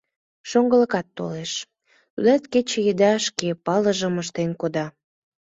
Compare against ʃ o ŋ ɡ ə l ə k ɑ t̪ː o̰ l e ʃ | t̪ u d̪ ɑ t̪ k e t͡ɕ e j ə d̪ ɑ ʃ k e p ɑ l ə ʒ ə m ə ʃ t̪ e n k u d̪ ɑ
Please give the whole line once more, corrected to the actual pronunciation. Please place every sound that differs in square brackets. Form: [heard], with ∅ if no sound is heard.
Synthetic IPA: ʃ o ŋ ɡ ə l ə k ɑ t̪ː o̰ l e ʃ | t̪ u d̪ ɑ t̪ k e t͡ɕ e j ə d̪ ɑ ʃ k e p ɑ l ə ʒ ə m ə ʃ t̪ e n k [o] d̪ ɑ